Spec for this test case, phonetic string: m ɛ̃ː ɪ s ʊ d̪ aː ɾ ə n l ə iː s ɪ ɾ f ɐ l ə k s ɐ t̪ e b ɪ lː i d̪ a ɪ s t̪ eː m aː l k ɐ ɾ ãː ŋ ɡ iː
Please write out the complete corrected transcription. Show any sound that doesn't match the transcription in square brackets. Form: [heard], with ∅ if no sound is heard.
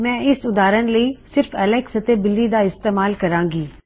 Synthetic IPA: m ɛ̃ː ɪ s ʊ d̪ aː ɾ ə n l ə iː s ɪ ɾ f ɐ l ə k s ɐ t̪ e b ɪ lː i d̪ a ɪ s t̪ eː m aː l k ɐ ɾ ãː ŋ ɡ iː